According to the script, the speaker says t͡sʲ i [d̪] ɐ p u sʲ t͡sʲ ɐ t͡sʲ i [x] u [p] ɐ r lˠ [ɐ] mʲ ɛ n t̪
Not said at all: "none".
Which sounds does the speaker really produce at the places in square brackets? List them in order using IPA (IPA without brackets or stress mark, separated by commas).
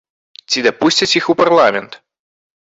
d̪, x, p, a